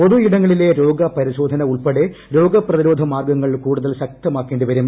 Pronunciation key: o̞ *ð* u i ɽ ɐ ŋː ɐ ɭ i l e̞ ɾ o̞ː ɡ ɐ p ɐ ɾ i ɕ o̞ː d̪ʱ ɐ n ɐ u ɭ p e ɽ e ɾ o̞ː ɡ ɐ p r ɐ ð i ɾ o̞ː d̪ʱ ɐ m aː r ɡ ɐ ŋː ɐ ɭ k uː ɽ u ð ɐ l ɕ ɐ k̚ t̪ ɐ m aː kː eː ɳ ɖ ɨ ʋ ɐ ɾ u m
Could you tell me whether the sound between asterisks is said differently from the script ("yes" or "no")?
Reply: no